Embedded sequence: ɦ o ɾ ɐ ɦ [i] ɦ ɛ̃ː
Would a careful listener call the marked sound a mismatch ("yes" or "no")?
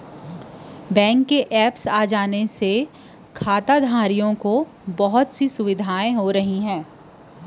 no